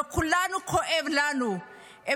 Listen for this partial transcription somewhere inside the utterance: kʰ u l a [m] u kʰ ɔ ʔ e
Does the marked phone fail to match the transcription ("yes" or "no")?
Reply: yes